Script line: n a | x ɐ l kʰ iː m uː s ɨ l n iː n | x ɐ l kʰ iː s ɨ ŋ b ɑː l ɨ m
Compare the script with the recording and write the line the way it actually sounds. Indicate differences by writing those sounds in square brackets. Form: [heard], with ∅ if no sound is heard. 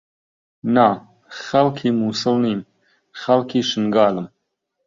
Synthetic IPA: n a | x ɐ l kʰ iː m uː s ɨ l n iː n | x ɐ l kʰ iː [ʃ] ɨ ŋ [ɡ] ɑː l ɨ m